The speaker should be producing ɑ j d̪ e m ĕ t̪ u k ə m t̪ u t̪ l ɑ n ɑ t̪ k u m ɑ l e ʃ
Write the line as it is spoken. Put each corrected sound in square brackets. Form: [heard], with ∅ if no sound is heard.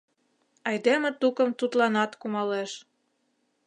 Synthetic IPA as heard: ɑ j d̪ e m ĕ t̪ u k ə m t̪ u t̪ l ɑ n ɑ t̪ k u m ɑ l e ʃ